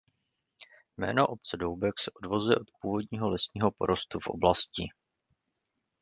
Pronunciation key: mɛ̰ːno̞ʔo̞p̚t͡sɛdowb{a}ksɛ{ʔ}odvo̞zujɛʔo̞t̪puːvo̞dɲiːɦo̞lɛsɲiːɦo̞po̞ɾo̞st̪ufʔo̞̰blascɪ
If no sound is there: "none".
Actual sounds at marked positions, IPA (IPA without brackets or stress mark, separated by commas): ɛ, ʔ